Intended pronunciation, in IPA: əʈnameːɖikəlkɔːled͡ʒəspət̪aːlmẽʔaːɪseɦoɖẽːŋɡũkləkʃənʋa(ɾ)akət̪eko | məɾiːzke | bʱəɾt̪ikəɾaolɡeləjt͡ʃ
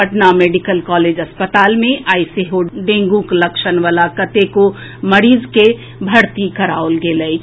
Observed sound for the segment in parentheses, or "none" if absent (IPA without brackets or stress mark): l